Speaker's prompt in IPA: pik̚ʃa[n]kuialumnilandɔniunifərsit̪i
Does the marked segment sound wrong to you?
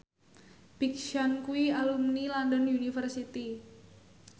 no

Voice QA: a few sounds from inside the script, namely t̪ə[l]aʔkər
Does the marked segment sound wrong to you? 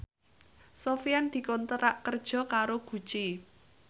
yes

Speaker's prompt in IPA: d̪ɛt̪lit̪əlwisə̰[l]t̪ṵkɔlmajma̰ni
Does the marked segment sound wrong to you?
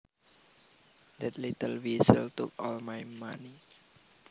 no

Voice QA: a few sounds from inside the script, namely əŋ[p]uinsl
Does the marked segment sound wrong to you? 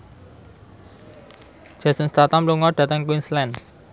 yes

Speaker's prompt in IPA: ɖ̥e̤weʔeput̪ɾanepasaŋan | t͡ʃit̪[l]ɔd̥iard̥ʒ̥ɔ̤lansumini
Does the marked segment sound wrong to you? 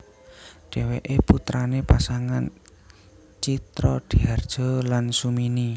yes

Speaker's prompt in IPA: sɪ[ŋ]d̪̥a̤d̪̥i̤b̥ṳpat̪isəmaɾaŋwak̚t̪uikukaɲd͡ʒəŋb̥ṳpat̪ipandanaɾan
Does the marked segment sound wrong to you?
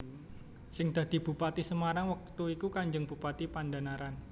no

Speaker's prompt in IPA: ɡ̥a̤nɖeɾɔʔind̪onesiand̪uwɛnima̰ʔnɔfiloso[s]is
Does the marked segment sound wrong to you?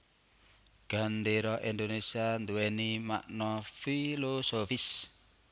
yes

